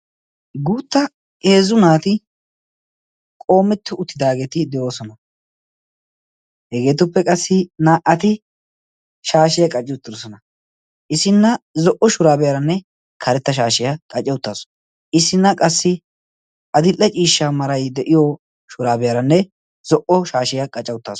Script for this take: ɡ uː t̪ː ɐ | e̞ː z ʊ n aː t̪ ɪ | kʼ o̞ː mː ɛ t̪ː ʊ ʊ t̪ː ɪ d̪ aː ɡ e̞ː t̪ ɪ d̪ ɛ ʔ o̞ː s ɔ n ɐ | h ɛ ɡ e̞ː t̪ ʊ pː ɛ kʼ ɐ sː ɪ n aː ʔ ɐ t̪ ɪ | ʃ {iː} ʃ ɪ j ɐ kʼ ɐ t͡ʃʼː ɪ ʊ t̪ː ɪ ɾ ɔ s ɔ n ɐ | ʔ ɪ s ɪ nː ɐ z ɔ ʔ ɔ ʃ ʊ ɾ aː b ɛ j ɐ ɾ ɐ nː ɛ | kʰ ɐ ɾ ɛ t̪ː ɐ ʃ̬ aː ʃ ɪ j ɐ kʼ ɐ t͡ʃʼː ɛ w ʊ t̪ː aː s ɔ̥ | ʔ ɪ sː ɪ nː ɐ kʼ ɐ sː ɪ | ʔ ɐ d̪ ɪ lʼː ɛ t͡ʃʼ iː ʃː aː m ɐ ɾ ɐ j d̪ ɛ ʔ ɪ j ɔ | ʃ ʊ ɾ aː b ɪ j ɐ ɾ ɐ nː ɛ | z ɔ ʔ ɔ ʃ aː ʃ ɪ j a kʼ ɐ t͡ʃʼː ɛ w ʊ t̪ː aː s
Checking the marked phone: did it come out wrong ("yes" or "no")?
yes